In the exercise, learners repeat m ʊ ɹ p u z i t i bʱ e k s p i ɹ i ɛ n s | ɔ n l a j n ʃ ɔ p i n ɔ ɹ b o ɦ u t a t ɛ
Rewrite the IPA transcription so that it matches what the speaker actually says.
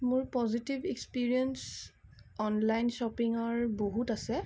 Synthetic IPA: m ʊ ɹ p ɔ z i t i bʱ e k s p i ɹ i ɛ n s | ɔ n l a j n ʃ ɔ p i ŋ ɔ ɹ b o ɦ u t a s ɛ